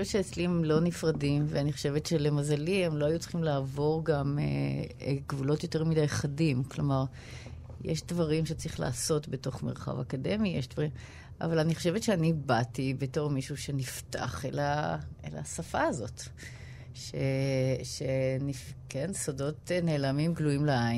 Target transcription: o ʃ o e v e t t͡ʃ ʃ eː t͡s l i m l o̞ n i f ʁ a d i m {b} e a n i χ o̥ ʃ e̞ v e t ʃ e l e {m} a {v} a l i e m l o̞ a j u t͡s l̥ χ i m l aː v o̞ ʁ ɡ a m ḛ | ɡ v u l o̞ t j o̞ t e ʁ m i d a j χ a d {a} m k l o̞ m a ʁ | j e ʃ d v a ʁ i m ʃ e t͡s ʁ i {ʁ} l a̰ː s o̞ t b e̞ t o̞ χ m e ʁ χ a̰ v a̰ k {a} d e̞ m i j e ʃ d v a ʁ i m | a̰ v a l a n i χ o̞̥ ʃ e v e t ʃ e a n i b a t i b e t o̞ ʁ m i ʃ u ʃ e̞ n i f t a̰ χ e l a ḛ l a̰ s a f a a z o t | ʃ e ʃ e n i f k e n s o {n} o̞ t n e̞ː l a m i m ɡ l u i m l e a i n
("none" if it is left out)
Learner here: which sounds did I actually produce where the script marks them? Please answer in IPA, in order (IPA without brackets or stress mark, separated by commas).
v, m, z, i, χ, a, d